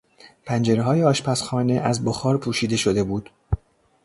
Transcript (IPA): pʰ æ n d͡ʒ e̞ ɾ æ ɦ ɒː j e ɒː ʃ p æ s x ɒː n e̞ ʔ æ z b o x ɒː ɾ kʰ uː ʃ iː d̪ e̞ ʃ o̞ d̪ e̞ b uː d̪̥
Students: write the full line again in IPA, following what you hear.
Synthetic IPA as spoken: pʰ æ n d͡ʒ e̞ ɾ e ɦ ɒː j e ɒː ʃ p æ s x ɒː n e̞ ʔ æ z b o x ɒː ɾ pʰ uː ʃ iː d̪ e̞ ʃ o̞ d̪ e̞ b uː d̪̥